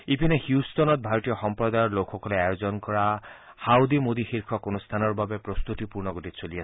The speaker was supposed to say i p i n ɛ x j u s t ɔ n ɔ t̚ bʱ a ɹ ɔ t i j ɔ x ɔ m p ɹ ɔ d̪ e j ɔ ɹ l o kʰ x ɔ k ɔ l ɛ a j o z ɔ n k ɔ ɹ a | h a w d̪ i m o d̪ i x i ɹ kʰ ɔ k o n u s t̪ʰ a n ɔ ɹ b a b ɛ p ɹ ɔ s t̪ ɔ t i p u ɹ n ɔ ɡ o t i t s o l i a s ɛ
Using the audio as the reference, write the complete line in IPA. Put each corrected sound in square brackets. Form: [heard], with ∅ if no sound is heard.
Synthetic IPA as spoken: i p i n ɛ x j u s t ɔ n ɔ t̚ bʱ a ɹ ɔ t i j ɔ x ɔ m p ɹ ɔ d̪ [a] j ɔ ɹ l o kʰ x ɔ k ɔ l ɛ a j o z ɔ n k ɔ ɹ a | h a w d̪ i m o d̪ i x i ɹ kʰ ɔ k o n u s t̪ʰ a n ɔ ɹ b a b ɛ p ɹ ɔ s t̪ [u] t i p u ɹ n ɔ ɡ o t i t s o l i a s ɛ